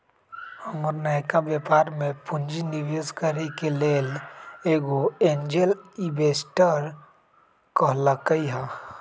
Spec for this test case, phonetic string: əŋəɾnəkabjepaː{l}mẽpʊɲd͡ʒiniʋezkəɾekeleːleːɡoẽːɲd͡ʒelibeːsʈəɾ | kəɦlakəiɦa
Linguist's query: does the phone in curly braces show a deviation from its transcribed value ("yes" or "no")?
yes